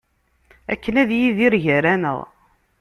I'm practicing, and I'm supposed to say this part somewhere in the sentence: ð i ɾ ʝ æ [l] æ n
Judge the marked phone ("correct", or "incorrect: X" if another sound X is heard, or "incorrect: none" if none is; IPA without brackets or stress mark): incorrect: ɾ